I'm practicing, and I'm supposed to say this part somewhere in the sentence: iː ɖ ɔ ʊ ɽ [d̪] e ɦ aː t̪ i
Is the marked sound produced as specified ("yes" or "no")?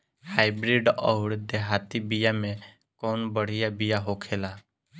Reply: yes